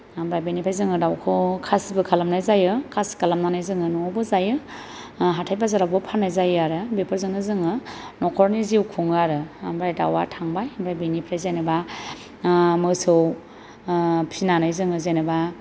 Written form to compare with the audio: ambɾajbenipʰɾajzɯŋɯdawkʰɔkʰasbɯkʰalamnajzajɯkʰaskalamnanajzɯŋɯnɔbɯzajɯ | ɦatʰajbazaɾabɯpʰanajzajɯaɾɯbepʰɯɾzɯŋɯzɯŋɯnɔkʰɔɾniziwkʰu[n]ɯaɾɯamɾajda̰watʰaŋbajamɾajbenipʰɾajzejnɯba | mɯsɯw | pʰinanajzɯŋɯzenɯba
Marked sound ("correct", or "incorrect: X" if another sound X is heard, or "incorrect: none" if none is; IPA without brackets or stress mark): incorrect: ŋ